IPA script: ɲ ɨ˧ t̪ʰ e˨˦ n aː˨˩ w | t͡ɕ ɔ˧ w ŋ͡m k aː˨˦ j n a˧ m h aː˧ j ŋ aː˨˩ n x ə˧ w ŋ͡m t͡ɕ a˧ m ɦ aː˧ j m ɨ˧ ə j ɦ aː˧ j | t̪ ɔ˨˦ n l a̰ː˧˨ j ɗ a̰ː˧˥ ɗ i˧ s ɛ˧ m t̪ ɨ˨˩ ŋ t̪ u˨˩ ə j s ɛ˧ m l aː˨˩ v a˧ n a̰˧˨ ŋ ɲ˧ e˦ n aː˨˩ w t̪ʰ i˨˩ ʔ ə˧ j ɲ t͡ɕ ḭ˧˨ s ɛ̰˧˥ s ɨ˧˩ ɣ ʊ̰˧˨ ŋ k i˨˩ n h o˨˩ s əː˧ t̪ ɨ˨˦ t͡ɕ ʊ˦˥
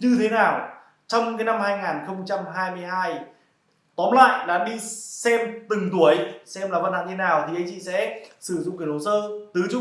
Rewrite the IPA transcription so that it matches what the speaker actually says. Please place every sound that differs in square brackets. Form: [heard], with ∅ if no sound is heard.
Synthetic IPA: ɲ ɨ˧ t̪ʰ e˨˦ n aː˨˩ w | t͡ɕ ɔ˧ w ŋ͡m k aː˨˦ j n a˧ m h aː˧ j ŋ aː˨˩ n x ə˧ w ŋ͡m t͡ɕ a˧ m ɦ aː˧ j m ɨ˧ ə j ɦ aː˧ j | t̪ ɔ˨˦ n l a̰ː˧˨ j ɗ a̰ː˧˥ ɗ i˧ s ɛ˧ m t̪ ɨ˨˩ ŋ t̪ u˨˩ ə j s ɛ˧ m l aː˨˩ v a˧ n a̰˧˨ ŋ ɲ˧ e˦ n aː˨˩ w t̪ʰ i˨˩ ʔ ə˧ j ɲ t͡ɕ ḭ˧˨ s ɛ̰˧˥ s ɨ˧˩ [z] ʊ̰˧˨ [ŋ͡m] k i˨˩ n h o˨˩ s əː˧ t̪ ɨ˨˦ t͡ɕ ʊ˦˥